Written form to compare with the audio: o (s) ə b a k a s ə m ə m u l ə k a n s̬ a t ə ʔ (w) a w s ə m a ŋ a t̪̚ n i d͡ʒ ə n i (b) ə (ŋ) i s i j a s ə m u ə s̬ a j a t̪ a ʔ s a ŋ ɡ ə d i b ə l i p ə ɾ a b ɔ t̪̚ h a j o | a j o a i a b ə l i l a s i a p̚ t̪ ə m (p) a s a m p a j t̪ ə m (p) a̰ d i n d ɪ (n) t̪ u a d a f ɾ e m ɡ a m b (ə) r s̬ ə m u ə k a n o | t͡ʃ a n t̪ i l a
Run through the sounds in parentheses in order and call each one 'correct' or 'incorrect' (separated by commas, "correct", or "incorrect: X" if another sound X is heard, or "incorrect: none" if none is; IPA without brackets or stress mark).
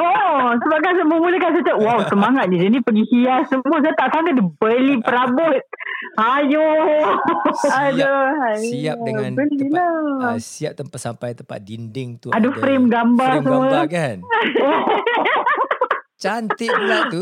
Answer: correct, correct, incorrect: p, incorrect: ɡ, correct, correct, incorrect: ŋ, incorrect: a